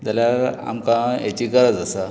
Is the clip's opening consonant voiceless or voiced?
voiced